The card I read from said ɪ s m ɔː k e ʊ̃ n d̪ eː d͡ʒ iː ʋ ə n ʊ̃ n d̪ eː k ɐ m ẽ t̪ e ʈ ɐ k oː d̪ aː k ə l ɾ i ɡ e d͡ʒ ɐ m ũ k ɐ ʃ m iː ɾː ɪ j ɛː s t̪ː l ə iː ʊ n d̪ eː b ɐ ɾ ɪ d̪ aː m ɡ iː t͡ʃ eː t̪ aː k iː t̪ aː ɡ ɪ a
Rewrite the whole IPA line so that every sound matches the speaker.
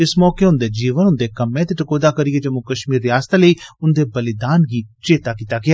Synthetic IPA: ɪ s m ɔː k e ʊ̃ n d̪ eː d͡ʒ iː ʋ ə n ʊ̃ n d̪ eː k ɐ m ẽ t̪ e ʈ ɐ k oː d̪ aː k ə ɾ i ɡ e d͡ʒ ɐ m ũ k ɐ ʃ m iː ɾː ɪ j aː s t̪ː l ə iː ʊ n d̪ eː b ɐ l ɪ d̪ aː n ɡ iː t͡ʃ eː t̪ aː k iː t̪ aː ɡ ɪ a